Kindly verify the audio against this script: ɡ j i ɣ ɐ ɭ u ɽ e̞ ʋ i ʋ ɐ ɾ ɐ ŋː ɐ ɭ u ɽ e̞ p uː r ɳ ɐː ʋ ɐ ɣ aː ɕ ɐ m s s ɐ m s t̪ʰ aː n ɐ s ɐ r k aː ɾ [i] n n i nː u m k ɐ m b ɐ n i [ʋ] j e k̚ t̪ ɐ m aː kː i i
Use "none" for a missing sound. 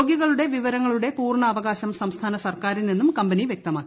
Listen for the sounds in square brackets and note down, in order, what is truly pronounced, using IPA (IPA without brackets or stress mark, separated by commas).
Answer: i, ʋ